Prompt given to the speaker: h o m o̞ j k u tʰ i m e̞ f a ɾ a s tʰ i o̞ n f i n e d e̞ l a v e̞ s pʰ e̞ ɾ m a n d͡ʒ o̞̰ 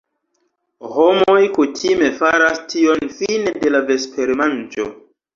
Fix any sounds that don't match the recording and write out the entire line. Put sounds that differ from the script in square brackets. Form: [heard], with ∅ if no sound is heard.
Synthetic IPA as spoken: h o m o̞ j k u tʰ i m e̞ f a ɾ a s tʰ i o̞ n f i n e d e̞ l a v e̞ s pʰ e̞ ɾ m a n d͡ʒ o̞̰